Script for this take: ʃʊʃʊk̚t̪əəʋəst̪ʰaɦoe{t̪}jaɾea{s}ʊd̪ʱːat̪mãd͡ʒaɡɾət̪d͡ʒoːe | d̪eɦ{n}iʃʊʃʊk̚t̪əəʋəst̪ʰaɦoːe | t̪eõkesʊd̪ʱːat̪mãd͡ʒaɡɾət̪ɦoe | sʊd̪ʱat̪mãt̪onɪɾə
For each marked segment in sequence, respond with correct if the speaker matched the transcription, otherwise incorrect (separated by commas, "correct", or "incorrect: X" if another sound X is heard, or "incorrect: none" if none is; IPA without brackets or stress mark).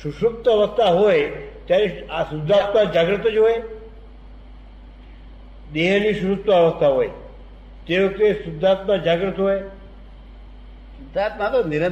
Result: correct, correct, correct